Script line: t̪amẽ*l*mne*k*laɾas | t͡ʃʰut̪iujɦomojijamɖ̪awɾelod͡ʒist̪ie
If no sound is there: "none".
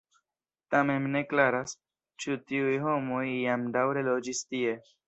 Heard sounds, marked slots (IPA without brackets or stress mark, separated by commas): none, k